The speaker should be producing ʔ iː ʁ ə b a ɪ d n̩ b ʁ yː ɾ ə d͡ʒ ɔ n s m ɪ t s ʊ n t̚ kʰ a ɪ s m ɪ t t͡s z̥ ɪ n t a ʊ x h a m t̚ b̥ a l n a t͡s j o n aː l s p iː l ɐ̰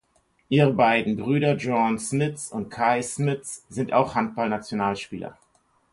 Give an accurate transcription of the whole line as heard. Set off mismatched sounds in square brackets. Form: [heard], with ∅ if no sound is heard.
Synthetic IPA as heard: ʔ iː ʁ ə b a ɪ d n̩ b ʁ yː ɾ [ɐ] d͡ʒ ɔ n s m ɪ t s ʊ n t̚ kʰ a ɪ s m ɪ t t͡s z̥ ɪ n t a ʊ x h a [n] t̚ b̥ a l n a t͡s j o n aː l [ʃ] p iː l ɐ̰